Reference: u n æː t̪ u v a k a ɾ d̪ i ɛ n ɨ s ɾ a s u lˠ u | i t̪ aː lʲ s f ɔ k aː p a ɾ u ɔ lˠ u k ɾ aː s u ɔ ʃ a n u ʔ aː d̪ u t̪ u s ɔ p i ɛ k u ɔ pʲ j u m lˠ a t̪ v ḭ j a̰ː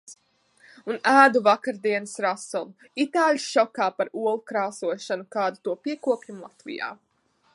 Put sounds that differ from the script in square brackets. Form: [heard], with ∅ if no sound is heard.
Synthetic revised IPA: u n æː [d̪] u v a k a ɾ d̪ i ɛ n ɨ s ɾ a s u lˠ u | i t̪ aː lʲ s [ʃ] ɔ k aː p a ɾ u ɔ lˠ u k ɾ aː s u ɔ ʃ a n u [k] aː d̪ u t̪ u [∅] ɔ p i ɛ k u ɔ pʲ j u m lˠ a t̪ v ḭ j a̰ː